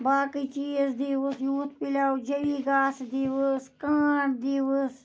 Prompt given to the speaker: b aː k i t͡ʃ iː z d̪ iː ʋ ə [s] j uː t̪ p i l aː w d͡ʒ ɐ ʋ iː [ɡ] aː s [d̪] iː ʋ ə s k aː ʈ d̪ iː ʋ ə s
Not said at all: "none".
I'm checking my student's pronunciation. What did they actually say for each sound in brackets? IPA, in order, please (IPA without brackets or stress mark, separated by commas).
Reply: s, ɡ, d̪